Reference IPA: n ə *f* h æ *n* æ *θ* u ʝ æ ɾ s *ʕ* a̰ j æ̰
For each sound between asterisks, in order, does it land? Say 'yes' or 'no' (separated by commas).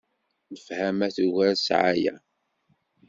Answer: yes, no, yes, yes